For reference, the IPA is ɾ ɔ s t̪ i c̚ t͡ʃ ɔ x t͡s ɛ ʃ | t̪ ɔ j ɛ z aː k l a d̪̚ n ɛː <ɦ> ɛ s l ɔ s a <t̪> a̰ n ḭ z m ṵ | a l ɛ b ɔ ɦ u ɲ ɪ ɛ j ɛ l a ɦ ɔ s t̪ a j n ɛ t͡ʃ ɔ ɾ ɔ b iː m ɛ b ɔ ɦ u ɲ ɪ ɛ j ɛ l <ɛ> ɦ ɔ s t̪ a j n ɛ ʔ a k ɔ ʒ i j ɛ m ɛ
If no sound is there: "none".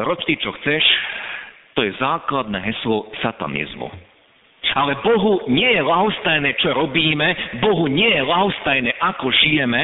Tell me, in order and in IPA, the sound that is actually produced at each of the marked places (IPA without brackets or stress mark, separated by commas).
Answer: ɦ, t̪, a